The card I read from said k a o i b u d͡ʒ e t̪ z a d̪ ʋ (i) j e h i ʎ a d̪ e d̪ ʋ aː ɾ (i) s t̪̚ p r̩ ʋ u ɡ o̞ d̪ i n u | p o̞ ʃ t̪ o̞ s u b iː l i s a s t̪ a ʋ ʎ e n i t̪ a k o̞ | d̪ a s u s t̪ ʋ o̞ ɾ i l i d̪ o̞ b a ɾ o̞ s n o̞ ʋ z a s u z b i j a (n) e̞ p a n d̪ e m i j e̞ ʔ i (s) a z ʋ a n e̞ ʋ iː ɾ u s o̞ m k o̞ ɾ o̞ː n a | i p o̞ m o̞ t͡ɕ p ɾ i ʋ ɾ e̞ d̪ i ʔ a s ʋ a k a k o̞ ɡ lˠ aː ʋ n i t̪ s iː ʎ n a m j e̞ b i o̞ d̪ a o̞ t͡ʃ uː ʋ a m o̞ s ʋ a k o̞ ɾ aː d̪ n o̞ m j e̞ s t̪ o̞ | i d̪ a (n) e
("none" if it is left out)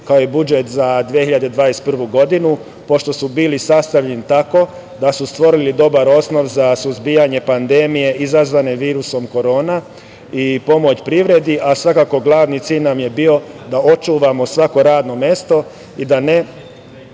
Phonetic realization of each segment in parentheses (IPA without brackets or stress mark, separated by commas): i, e, ɲ, z, n